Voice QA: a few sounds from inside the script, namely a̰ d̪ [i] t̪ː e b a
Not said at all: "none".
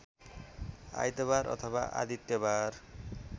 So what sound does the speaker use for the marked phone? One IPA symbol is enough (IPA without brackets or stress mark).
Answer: i